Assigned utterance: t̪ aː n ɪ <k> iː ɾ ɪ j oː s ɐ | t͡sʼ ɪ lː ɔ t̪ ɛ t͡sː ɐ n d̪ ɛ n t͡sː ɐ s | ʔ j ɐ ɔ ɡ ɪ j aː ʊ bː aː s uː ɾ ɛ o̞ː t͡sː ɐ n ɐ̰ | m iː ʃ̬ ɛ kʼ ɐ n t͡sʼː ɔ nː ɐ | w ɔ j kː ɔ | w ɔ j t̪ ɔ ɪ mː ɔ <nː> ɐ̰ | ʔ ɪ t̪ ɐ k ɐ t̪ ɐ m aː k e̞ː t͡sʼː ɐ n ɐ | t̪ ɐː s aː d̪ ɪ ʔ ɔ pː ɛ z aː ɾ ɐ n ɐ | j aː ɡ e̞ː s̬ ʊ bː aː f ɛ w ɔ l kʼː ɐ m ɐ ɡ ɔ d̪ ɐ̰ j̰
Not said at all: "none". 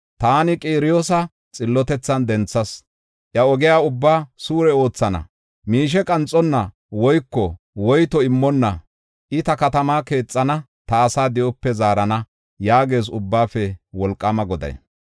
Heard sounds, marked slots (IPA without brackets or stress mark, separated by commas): kʼ, nː